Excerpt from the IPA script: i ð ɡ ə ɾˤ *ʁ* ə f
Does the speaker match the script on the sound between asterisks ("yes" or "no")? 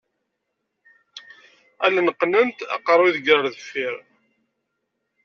no